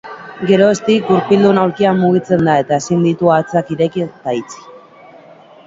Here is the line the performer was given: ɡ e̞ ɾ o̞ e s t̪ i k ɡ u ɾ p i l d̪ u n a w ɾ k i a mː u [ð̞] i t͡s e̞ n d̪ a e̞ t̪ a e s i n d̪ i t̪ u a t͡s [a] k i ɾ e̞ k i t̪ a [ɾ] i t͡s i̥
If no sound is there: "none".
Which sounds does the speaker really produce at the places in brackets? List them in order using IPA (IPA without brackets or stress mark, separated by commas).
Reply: ɣ̞, a, none